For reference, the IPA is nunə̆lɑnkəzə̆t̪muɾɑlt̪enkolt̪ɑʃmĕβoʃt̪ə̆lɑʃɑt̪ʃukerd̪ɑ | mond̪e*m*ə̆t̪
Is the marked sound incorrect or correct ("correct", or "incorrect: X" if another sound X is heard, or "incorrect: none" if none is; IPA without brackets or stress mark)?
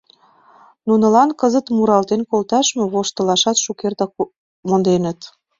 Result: incorrect: n